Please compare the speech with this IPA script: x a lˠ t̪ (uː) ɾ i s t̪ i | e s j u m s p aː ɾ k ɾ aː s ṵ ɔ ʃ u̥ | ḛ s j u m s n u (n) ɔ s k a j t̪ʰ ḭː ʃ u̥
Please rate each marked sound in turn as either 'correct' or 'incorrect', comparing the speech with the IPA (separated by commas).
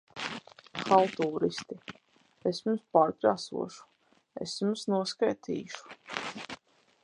correct, incorrect